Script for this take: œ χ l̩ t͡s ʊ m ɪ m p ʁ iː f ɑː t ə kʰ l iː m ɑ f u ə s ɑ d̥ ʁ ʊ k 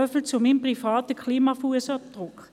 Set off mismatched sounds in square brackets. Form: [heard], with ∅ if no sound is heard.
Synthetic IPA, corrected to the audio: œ [f] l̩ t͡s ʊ m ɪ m p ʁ [i] f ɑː t ə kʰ l iː m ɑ f u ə s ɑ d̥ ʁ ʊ k